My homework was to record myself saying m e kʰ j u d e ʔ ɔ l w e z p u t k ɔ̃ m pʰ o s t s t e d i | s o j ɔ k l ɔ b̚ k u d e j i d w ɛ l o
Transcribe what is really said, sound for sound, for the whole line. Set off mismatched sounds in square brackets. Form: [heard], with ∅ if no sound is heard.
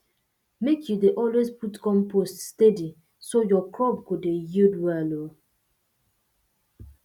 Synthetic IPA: m e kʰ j u d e ʔ ɔ l w e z p u t k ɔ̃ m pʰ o s t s t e d i | s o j ɔ k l ɔ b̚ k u d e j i d w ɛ l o